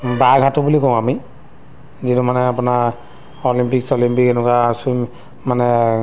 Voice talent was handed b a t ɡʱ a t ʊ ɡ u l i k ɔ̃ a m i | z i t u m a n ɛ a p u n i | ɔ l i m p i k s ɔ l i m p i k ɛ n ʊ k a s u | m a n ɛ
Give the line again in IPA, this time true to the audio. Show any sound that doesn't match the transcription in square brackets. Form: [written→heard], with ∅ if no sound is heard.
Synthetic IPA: b a [t→∅] ɡʱ a t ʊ [ɡ→b] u l i k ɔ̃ a m i | z i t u m a n ɛ a p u n [i→a] | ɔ l i m p i k s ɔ l i m p i k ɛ n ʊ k a s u | m a n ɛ